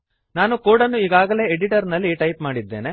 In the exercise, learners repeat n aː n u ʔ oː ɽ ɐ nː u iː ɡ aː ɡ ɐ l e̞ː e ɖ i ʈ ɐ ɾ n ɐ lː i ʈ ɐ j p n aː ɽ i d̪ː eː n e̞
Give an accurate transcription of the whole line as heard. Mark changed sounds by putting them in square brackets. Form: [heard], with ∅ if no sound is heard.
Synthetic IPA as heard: n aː n u [k] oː ɽ ɐ nː u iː ɡ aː ɡ ɐ l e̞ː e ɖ i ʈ ɐ ɾ n ɐ lː i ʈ ɐ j p [m] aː ɽ i d̪ː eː n e̞

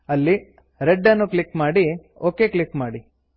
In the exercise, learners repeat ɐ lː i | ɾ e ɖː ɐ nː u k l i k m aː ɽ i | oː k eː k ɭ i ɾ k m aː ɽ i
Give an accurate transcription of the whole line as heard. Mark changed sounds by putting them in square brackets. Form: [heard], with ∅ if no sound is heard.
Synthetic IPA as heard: ɐ lː i | ɾ e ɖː ɐ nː u k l i k m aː ɽ i | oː k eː k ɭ i [∅] k m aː ɽ i

